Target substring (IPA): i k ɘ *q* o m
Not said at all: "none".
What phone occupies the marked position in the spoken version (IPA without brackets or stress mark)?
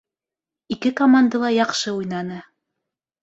k